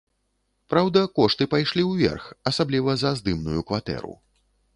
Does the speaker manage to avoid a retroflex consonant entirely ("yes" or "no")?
no